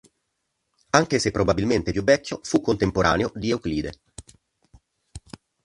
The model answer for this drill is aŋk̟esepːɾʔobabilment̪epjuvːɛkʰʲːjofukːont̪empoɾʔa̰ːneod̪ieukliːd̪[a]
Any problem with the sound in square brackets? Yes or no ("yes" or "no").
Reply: yes